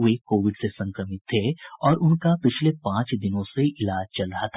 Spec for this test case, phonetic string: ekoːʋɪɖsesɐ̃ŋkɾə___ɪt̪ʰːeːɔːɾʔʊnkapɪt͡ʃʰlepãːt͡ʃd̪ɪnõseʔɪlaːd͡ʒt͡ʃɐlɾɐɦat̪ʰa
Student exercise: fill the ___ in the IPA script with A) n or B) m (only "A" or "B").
B